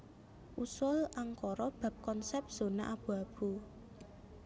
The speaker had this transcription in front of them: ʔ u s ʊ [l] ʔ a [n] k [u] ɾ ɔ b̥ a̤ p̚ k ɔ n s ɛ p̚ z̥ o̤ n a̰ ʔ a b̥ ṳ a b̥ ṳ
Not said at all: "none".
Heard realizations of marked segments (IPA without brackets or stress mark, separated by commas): l, ŋ, ɔ